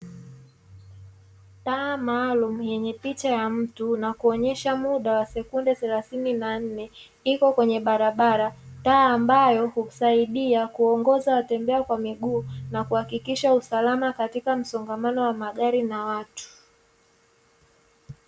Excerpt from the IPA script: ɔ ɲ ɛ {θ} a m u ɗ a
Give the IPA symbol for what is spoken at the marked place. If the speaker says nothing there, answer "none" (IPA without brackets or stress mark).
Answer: ʃ